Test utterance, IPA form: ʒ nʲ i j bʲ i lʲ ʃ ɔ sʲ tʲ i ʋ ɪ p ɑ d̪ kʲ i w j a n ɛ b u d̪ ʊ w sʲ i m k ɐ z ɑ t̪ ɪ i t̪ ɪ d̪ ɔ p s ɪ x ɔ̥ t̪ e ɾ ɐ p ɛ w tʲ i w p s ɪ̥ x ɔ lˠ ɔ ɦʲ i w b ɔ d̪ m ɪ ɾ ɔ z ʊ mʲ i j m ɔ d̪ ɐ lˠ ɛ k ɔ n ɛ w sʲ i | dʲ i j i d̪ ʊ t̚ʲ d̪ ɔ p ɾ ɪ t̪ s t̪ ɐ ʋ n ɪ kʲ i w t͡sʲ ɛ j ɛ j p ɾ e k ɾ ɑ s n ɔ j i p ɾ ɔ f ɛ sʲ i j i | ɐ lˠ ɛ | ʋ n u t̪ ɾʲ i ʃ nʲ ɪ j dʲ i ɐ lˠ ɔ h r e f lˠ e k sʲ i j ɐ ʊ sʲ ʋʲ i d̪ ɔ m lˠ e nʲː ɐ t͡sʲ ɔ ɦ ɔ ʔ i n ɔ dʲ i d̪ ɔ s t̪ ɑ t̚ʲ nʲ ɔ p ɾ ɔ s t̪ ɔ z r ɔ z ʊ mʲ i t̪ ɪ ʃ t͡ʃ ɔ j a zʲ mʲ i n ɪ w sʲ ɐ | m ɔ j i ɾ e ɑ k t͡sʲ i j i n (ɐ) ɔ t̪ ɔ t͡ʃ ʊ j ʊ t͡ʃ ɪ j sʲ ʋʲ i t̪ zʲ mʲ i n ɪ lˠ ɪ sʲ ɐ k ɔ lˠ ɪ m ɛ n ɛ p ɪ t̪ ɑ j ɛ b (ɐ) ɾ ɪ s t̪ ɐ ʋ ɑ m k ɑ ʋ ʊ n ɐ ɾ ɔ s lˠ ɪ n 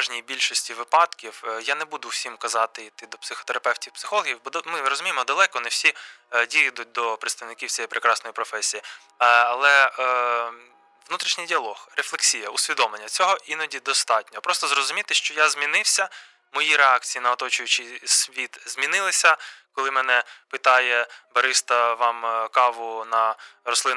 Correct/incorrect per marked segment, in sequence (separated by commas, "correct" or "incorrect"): correct, correct